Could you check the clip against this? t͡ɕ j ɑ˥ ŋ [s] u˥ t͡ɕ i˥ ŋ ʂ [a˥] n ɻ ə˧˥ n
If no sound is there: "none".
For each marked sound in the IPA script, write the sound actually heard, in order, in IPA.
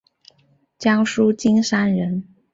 ʂ, a˥

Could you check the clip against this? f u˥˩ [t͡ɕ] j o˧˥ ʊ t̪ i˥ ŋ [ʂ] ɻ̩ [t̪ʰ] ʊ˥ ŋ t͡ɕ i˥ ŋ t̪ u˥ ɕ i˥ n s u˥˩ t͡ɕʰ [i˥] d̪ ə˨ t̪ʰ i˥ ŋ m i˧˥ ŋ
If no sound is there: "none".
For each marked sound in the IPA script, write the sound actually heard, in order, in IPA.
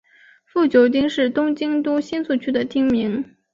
t͡ɕ, ʂ, t̪, y˥

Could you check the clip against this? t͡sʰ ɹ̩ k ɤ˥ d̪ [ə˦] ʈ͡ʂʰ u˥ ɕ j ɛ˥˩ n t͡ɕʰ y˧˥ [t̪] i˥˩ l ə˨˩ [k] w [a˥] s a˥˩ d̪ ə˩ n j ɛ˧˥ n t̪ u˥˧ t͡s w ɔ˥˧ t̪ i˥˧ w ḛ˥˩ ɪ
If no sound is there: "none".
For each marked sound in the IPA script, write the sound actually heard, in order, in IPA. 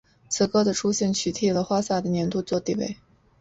ə˨, t̪ʰ, x, a˥

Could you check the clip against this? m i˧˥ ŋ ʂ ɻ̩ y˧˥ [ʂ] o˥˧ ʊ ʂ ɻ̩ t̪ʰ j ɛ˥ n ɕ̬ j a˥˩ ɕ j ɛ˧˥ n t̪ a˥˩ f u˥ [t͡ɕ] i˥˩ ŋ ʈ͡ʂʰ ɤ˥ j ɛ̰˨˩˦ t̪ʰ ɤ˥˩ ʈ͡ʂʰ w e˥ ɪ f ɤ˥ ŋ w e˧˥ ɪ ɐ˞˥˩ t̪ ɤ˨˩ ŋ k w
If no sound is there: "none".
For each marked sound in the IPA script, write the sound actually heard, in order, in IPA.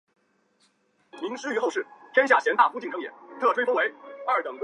x, t͡ɕ

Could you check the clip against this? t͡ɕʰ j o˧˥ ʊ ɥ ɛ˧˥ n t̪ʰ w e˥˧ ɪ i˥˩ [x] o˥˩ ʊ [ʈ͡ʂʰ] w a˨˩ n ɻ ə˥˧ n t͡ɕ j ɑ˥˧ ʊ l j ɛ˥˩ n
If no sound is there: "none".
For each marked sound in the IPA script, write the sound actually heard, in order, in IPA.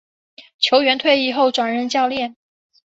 x, ʈ͡ʂ

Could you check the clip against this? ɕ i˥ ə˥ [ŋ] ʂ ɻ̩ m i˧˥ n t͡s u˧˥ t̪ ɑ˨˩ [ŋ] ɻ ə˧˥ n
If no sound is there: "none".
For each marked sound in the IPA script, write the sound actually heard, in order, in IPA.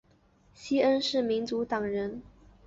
n, ŋ

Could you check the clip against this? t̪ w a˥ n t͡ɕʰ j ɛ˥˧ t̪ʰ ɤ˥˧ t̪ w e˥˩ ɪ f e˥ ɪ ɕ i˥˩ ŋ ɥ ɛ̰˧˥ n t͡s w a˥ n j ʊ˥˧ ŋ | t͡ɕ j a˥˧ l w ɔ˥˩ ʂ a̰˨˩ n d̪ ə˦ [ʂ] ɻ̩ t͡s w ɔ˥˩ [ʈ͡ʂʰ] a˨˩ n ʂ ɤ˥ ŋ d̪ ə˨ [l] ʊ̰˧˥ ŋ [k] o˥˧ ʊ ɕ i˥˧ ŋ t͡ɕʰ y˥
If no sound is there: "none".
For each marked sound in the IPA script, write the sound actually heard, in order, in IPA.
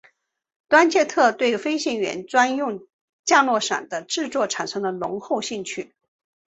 ʈ͡ʂ, ʈ͡ʂʰ, l, x

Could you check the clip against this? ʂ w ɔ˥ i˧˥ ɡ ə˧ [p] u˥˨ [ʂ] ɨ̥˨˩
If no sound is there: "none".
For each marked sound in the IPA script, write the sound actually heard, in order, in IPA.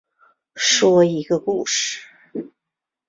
k, ʂ

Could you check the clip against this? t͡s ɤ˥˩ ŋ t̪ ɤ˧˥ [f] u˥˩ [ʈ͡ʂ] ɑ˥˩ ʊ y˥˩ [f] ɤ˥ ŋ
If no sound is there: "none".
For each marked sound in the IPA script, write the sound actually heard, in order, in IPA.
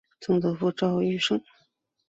f, ʈ͡ʂ, ʂ

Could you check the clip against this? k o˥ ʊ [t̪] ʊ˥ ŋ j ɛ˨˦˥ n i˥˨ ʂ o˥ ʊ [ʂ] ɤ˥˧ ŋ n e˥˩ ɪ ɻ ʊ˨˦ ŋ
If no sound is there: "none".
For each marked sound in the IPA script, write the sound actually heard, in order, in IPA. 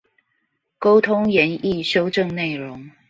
t̪ʰ, ʈ͡ʂ

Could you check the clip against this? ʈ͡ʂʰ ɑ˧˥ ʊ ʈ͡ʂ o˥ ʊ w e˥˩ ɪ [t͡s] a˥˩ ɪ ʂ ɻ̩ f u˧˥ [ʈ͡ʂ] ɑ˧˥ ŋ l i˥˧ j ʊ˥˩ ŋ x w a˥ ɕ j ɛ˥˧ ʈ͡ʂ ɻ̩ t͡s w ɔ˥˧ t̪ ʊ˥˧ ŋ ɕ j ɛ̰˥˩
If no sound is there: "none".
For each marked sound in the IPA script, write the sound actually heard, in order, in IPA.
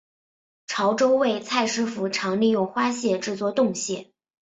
t͡sʰ, ʈ͡ʂʰ

